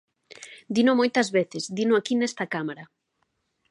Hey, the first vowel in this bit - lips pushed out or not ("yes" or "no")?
no